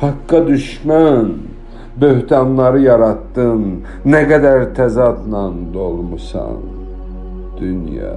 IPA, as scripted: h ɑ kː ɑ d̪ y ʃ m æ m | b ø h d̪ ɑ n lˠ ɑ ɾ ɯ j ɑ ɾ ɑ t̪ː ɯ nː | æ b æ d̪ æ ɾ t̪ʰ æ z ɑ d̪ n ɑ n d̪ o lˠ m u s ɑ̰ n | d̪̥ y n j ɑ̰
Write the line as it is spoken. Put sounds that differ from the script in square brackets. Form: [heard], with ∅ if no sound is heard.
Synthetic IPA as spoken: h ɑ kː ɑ d̪ y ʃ m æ [n] | b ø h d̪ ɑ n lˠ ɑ ɾ ɯ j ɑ ɾ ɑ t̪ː ɯ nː | æ [ɡ] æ d̪ æ ɾ t̪ʰ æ z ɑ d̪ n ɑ n d̪ o lˠ m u s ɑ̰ n | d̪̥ y n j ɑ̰